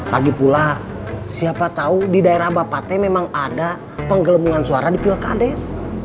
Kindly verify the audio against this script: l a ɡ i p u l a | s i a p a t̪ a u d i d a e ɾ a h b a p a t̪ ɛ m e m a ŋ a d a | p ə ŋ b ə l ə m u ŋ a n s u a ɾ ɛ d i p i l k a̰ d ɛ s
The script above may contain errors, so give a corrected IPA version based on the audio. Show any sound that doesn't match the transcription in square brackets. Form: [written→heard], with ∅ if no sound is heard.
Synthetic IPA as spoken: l a ɡ i p u l a | s i a p a t̪ a u d i d a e ɾ a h b a p a t̪ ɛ m e m a ŋ a d a | p ə ŋ [b→ɡ] ə l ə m u ŋ a n s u a ɾ [ɛ→a] d i p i l k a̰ d ɛ s